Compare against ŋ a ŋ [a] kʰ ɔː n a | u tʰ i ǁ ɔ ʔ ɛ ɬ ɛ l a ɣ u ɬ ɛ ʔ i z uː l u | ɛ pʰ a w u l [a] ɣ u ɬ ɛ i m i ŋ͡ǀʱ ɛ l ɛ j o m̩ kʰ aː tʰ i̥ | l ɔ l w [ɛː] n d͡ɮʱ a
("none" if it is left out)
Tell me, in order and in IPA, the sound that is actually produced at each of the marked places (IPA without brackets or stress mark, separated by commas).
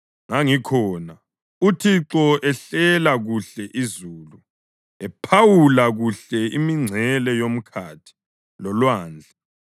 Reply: i, a, aː